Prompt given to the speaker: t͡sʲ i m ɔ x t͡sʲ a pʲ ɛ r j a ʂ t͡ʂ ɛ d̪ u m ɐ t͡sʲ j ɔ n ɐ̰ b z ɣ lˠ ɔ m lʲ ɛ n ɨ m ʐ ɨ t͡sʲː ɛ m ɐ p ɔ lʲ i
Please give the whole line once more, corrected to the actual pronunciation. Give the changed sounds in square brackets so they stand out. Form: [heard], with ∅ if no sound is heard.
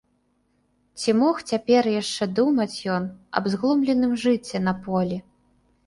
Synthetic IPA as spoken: t͡sʲ i m ɔ x t͡sʲ a pʲ ɛ r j a ʂ t͡ʂ ɛ d̪ u m ɐ t͡sʲ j ɔ n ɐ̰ b z ɣ lˠ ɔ m lʲ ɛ n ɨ m ʐ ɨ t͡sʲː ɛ [n] ɐ p ɔ lʲ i